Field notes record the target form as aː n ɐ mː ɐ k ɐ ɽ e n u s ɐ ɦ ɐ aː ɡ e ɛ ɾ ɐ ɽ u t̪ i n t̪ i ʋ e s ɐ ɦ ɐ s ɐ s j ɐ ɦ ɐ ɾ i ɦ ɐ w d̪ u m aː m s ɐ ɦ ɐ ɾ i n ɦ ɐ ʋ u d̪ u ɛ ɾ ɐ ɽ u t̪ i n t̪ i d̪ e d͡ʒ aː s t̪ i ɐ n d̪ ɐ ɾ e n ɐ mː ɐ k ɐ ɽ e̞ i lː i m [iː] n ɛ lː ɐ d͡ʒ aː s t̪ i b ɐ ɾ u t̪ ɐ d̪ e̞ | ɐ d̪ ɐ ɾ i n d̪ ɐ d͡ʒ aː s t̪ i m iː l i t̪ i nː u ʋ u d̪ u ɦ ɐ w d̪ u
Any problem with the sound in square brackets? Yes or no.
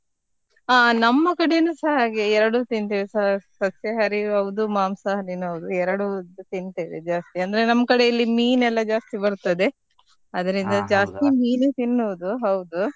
no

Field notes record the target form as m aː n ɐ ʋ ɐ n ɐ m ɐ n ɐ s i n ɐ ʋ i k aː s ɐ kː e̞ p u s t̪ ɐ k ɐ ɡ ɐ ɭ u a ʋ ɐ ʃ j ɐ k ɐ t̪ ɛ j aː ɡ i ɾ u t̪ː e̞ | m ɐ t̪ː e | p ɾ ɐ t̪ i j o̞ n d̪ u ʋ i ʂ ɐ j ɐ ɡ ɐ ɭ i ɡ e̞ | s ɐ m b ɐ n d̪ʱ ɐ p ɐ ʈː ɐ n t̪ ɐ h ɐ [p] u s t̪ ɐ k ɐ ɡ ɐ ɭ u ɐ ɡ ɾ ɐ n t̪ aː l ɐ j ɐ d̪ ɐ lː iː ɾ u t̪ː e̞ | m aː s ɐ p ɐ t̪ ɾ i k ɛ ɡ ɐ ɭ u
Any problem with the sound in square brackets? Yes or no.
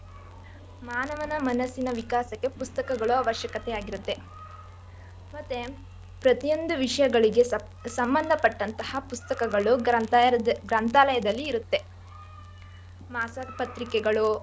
no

